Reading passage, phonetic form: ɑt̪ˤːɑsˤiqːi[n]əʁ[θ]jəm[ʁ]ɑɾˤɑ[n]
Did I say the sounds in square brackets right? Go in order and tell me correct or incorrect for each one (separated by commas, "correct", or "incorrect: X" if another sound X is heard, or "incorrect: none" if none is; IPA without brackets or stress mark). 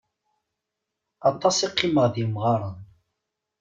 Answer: incorrect: m, incorrect: ð, correct, correct